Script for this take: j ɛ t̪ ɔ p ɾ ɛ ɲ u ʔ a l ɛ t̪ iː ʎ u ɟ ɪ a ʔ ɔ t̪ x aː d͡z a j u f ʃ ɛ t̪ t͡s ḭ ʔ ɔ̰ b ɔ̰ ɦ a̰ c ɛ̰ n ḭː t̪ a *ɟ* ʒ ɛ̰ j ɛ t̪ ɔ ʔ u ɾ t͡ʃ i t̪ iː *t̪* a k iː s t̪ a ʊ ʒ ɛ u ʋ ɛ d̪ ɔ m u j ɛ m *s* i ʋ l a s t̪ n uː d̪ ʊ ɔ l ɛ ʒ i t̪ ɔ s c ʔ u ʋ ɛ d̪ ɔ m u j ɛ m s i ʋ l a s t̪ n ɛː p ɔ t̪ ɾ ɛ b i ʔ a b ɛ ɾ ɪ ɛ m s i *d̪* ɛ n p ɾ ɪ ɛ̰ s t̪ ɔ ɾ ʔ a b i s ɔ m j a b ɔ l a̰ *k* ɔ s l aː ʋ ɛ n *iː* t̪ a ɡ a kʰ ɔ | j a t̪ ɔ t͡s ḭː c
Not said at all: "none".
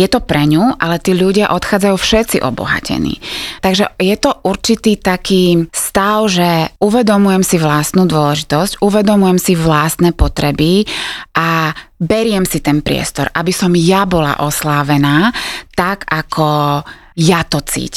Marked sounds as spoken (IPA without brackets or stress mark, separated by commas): ɡ, t̪, s, t̪, ʔ, aː